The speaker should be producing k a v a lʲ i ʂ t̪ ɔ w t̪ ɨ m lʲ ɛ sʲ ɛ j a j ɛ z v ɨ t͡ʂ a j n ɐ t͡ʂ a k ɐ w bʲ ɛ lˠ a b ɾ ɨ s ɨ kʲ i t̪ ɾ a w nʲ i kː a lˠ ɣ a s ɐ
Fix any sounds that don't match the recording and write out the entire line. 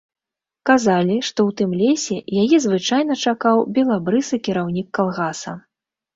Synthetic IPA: k a z a lʲ i ʂ t̪ ɔ w t̪ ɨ m lʲ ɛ sʲ ɛ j a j ɛ z v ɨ t͡ʂ a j n ɐ t͡ʂ a k a w bʲ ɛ lˠ a b ɾ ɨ s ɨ kʲ i ɾ a w nʲ i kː a lˠ ɣ a s ɐ